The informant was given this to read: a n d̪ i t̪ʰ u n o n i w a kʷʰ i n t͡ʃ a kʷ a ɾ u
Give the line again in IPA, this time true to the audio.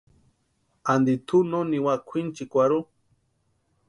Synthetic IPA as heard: a n d̪ i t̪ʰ u n o n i w a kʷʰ i n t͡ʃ i kʷ a ɾ u